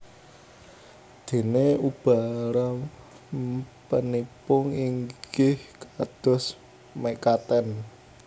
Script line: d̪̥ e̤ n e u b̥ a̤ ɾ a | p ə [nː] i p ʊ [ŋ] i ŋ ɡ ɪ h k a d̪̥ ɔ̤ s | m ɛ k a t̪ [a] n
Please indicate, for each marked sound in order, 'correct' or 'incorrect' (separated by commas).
incorrect, correct, incorrect